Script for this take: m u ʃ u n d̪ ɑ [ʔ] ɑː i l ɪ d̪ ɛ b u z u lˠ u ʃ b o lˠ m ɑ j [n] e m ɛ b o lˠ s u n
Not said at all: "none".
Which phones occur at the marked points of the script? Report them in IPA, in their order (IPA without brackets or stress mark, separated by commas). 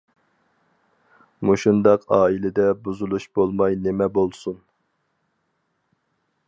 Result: q, n